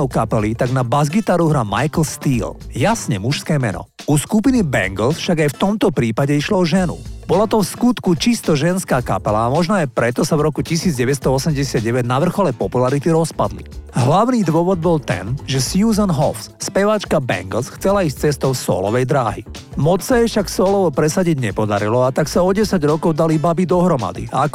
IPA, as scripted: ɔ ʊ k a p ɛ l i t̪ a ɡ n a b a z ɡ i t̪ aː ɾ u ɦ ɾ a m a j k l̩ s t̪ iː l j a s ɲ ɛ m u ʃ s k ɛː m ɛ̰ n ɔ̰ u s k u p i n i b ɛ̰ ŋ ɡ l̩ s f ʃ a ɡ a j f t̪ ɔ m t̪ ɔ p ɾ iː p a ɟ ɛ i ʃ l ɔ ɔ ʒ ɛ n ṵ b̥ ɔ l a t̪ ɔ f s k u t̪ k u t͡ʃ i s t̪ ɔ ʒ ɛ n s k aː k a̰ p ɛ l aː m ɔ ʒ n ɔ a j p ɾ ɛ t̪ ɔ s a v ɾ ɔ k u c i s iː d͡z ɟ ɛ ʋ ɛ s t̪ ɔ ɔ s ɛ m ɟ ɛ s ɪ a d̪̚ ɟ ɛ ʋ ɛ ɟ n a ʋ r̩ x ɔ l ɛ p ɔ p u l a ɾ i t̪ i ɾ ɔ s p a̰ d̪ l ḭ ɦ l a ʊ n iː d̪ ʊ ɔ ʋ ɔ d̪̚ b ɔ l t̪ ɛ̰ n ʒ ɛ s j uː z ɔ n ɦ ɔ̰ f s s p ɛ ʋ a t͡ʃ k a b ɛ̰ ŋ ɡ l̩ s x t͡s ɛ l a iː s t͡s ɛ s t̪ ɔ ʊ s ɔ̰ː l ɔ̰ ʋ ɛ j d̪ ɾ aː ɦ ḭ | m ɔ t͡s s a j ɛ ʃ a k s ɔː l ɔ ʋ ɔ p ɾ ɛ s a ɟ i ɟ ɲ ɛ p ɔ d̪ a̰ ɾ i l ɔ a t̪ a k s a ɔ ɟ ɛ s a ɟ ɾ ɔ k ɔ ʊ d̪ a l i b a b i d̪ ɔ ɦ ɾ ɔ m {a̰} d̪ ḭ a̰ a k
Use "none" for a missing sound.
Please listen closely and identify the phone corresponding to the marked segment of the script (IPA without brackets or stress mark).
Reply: a̰